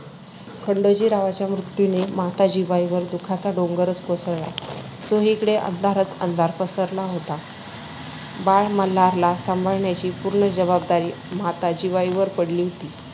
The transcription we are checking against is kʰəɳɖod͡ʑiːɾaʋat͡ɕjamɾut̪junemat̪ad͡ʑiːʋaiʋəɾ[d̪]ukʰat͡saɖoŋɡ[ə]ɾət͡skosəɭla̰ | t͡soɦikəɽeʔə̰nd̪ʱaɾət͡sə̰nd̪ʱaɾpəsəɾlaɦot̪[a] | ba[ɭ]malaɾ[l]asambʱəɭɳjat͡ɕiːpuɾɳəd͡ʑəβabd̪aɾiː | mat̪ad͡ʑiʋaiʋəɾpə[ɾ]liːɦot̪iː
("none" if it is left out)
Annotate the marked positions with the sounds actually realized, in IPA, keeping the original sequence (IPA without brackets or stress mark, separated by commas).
d̪, ə, a, ɭ, l, ɽ